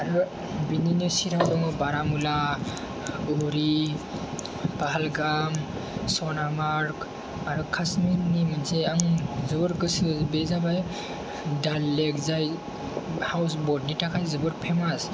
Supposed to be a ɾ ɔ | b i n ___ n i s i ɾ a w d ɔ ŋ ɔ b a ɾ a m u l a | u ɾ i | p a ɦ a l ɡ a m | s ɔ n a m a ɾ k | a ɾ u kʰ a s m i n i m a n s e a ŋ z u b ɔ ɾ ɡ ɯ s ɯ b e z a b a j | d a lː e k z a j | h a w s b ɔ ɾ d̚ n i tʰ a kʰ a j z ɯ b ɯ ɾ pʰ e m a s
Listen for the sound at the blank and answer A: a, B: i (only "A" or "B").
B